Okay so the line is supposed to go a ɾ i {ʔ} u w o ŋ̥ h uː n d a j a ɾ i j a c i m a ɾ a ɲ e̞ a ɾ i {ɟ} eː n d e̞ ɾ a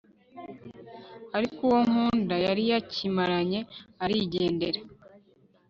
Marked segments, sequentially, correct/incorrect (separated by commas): incorrect, correct